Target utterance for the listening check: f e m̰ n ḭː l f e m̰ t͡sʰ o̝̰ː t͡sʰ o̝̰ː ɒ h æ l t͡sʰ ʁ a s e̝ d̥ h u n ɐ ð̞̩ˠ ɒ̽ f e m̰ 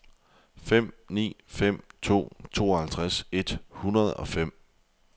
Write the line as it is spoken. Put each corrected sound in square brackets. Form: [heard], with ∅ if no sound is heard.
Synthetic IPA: f e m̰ n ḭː [∅] f e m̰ t͡sʰ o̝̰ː t͡sʰ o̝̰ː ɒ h æ l t͡sʰ ʁ a s e̝ d̥ h u n ɐ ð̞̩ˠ ɒ̽ f e m̰